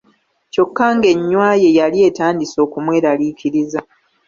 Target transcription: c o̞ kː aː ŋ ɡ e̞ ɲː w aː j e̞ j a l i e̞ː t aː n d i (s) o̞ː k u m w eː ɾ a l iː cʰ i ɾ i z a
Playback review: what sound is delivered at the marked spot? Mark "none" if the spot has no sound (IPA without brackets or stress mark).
s